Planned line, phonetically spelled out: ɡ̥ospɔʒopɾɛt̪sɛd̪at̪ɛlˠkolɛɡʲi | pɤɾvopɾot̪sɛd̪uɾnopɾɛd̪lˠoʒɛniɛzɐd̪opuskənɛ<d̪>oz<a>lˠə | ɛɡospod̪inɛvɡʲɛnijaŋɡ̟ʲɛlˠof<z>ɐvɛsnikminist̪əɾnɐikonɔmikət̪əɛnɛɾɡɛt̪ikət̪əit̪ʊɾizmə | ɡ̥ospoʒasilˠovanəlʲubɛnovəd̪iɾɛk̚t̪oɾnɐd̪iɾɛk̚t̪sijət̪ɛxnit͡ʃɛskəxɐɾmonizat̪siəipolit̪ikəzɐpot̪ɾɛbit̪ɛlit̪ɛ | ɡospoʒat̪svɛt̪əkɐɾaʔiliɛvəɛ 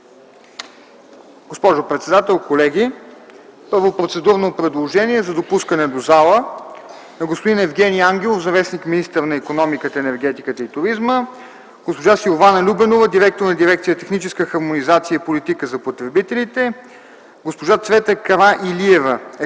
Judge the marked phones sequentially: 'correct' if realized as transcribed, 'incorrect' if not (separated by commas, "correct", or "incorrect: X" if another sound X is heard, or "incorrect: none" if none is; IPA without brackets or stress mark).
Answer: correct, correct, correct